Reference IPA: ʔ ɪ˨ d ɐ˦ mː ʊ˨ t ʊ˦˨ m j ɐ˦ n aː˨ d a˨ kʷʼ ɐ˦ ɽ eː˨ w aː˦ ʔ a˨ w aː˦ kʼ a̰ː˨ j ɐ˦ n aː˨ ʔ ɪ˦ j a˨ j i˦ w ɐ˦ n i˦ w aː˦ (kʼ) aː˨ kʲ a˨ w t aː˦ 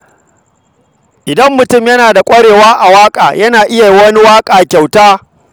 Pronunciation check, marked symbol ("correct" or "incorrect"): correct